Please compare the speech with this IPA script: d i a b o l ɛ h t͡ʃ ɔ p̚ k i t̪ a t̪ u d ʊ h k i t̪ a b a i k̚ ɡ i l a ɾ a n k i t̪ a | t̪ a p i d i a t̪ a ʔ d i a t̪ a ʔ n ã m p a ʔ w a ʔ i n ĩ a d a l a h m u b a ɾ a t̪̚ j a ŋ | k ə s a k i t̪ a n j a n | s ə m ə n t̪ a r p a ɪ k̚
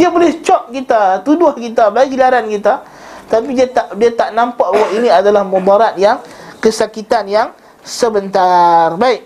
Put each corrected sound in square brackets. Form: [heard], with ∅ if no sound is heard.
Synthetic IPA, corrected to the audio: d i a b o l ɛ h t͡ʃ ɔ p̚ k i t̪ a t̪ u d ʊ h k i t̪ a b a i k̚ ɡ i l a ɾ a n k i t̪ a | t̪ a p i d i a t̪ a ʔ d i a t̪ a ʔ n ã m p a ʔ w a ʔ i n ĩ a d a l a h m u b a ɾ a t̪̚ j a ŋ | k ə s a k i t̪ a n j a [ŋ] | s ə [b] ə n t̪ a r [b] a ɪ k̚